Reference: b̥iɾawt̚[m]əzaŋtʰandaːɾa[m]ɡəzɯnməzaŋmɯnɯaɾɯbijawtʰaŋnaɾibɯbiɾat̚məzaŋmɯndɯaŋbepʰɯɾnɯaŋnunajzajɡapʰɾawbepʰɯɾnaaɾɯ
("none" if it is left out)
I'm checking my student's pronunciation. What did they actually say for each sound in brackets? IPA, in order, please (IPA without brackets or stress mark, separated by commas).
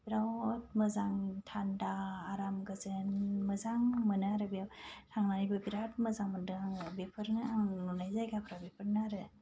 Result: m, m